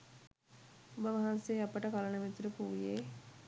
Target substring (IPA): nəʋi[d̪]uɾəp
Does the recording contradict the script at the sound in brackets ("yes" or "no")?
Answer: yes